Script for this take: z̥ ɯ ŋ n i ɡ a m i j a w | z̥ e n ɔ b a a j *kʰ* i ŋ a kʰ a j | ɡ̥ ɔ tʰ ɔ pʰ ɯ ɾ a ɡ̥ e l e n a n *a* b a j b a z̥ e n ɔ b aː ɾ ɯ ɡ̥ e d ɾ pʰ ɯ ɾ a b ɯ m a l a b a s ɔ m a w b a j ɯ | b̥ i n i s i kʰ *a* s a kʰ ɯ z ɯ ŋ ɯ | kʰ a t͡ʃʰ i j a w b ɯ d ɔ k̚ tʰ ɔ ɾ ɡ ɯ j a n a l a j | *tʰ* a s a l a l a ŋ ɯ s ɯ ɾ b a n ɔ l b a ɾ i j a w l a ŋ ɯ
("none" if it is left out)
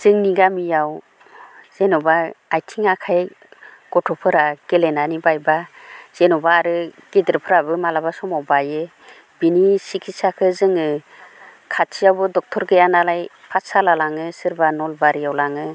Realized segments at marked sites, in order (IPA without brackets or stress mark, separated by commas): tʰ, i, i, pʰ